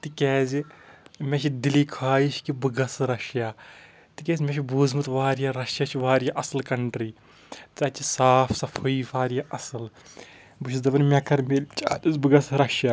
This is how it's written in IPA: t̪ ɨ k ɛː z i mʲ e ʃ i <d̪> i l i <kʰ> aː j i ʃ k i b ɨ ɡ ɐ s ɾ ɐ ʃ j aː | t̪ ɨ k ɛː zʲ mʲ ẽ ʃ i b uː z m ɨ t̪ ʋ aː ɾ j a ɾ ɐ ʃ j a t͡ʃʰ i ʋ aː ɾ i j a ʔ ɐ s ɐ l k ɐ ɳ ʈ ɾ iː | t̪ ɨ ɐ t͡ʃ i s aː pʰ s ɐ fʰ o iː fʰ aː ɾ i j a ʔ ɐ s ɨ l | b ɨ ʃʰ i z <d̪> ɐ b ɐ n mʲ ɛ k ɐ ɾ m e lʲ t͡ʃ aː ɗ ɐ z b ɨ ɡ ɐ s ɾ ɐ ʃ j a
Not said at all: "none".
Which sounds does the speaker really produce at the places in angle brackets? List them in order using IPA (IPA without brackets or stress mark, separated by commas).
d̪, kʰ, d̪